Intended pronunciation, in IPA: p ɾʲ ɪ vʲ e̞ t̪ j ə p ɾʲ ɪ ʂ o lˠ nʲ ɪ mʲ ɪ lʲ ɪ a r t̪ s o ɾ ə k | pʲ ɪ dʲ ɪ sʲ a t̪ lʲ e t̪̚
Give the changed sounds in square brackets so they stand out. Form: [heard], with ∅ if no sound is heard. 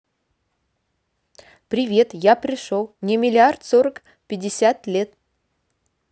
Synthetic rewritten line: p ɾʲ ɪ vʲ e̞ t̪ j [a] p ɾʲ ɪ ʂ o lˠ nʲ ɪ mʲ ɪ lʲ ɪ a r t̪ s o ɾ ə k | pʲ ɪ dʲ ɪ sʲ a t̪ lʲ e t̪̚